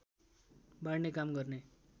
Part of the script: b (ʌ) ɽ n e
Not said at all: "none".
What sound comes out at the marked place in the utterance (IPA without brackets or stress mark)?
a